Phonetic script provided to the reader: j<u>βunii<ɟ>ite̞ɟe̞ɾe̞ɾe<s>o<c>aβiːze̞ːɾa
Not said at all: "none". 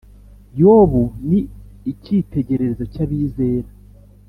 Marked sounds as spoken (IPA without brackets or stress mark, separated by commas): o, c, z, c